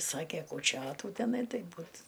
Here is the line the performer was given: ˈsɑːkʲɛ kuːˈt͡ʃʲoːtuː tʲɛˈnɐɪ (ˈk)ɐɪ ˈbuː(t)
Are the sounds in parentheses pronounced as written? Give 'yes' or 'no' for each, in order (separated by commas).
no, yes